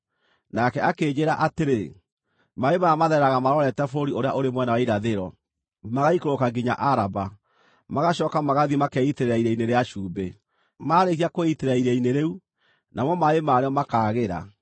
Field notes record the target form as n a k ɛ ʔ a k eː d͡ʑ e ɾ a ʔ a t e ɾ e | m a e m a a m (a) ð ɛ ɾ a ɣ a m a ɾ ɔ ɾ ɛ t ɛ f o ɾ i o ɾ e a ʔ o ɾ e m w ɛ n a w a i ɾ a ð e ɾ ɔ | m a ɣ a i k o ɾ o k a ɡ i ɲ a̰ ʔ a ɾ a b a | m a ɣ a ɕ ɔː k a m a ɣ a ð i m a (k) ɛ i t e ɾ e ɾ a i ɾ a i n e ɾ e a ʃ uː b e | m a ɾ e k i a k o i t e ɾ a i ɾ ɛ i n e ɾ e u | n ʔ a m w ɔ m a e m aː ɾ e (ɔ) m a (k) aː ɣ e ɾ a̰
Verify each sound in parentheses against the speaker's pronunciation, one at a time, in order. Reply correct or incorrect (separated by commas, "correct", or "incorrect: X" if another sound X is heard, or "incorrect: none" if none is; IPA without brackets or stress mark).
correct, correct, correct, correct